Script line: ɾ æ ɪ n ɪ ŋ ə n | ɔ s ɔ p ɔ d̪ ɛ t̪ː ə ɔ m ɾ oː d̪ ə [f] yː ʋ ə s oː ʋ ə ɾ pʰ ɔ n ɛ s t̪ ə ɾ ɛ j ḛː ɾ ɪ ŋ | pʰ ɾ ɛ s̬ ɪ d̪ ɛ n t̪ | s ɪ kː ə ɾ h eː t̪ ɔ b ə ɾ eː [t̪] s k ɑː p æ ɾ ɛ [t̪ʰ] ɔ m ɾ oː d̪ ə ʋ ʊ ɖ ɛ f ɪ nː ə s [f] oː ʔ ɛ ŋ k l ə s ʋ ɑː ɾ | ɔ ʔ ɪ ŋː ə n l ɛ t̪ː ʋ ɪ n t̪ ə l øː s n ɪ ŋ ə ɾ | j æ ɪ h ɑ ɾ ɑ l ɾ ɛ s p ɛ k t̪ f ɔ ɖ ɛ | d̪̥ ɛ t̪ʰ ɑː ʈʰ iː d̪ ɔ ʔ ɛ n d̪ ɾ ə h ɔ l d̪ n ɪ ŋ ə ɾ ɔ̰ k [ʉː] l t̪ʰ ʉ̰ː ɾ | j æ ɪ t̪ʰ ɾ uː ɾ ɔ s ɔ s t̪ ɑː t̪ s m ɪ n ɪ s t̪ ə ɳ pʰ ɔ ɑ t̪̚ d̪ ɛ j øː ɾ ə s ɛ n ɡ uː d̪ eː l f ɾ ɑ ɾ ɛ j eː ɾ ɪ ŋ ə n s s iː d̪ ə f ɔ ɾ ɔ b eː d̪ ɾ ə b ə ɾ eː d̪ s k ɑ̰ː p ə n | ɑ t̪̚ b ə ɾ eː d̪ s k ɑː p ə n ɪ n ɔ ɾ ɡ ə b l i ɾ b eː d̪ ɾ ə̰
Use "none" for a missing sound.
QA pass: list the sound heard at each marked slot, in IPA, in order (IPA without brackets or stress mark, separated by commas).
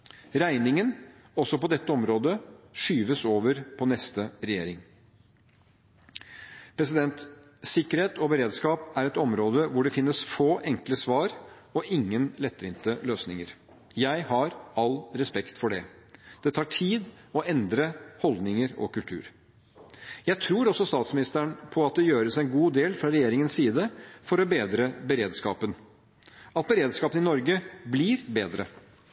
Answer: ʂ, d̪, t̪, f, ʉ